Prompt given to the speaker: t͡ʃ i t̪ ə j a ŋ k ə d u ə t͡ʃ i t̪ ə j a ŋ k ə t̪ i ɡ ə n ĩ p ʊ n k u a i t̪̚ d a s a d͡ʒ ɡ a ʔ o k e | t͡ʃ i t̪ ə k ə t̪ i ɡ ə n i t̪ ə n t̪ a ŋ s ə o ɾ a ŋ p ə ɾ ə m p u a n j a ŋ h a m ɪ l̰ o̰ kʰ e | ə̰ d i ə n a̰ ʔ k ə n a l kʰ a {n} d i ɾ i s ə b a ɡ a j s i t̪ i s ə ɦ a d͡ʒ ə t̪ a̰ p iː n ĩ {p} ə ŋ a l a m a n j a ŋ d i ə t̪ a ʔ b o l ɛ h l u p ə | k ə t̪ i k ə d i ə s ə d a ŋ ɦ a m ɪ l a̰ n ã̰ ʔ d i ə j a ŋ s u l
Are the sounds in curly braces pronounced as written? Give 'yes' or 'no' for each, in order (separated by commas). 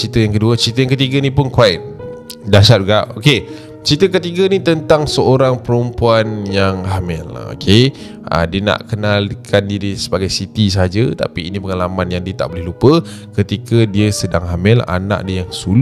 yes, yes